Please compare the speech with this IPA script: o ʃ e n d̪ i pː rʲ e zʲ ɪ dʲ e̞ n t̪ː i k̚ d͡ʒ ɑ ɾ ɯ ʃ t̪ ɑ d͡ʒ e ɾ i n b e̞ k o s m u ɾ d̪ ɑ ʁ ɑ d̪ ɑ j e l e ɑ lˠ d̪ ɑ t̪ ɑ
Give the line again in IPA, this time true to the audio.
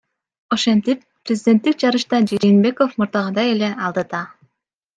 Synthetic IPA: o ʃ e n t̪ i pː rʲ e zʲ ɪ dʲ e̞ n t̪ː i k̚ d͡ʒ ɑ ɾ ɯ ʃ t̪ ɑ d͡ʒ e ɾ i n b e̞ k o f m u ɾ d̪ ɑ ʁ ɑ d̪ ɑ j e l e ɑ lˠ d̪ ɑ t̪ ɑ